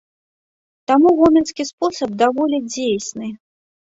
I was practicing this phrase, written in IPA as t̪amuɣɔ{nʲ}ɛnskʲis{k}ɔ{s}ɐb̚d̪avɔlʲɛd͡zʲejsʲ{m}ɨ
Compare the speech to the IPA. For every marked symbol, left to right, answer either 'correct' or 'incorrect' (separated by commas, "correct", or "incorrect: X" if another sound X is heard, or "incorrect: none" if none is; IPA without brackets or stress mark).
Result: incorrect: mʲ, incorrect: p, correct, incorrect: n